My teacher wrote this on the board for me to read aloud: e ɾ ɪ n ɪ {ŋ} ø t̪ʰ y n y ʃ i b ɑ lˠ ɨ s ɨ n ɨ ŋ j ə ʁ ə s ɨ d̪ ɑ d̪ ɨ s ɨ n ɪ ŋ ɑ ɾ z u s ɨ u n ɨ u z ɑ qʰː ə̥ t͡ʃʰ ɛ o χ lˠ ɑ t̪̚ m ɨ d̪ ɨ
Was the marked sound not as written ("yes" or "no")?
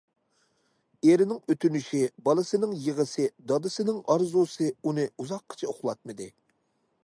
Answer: no